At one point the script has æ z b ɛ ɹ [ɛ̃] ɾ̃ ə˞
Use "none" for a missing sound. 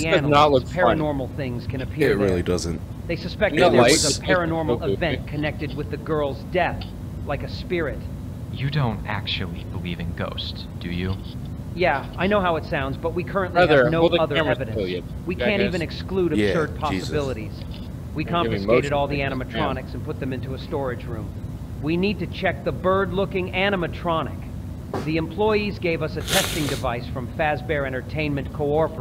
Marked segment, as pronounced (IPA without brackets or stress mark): ɛ̃